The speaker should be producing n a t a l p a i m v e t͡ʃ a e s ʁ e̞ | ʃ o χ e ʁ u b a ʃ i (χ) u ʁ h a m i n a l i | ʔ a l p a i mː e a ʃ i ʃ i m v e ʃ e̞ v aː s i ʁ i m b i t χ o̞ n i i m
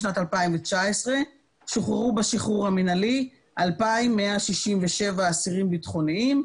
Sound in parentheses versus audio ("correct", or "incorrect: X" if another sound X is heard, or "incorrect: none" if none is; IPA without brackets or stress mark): correct